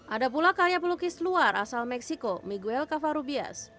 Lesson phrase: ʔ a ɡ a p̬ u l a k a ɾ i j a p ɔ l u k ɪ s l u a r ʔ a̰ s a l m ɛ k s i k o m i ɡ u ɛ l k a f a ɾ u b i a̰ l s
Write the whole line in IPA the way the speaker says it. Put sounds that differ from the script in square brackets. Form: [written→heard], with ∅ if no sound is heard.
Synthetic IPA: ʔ a [ɡ→d] a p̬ u l a k a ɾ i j a p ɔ l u k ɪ s l u a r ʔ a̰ s a l m ɛ k s i k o m i ɡ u ɛ l k a f a ɾ u b i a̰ [l→∅] s